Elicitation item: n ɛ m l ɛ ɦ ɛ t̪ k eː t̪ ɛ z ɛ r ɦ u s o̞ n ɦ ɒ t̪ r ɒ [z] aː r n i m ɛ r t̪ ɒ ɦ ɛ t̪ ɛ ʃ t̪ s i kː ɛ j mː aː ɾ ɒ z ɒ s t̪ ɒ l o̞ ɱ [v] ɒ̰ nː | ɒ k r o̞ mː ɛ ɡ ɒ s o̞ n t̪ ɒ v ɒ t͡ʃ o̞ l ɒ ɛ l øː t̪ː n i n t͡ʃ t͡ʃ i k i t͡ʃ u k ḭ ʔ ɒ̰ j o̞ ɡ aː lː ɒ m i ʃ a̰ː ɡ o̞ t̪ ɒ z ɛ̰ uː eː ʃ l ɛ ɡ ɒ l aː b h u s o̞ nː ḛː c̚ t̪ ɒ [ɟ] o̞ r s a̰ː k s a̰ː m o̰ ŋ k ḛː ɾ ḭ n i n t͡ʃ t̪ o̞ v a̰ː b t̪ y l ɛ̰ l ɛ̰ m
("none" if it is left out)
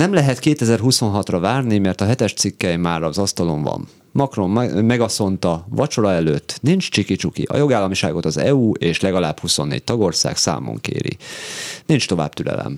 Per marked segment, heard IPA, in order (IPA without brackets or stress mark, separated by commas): v, v, ɡ